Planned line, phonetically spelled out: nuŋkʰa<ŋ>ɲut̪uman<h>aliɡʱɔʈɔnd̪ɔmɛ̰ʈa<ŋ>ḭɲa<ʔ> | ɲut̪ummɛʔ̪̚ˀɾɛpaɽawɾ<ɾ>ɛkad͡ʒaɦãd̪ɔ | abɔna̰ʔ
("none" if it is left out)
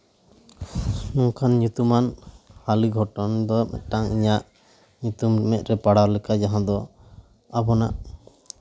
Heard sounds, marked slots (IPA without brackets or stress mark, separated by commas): n, h, ŋ, ʔ, l